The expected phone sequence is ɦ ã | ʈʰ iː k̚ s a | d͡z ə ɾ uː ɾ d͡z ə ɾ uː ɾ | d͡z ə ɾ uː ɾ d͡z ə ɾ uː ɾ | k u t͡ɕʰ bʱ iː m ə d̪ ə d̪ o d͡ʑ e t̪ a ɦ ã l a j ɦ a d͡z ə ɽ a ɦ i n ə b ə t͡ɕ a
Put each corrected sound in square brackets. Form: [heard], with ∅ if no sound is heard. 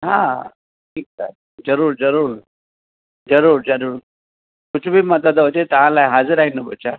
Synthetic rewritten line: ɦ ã | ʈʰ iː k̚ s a | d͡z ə ɾ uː ɾ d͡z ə ɾ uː ɾ | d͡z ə ɾ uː ɾ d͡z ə ɾ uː ɾ | k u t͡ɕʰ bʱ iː m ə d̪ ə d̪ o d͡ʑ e t̪ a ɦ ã l a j ɦ a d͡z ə [ɾ] a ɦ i n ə b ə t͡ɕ a